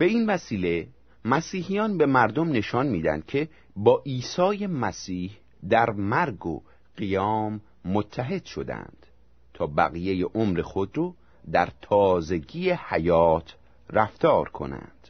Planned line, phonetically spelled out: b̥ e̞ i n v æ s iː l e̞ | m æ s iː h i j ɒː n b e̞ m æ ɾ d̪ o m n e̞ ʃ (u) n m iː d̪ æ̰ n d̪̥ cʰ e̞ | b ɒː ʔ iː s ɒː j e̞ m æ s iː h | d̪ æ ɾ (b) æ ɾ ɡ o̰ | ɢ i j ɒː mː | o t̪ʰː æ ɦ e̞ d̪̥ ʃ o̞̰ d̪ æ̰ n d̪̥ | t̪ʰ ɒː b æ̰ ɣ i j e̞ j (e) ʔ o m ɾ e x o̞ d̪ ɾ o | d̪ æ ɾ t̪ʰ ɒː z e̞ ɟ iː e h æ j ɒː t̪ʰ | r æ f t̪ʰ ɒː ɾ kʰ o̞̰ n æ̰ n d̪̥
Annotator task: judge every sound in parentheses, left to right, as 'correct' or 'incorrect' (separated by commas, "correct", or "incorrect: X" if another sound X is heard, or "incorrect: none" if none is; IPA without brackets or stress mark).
incorrect: ɒ, incorrect: m, correct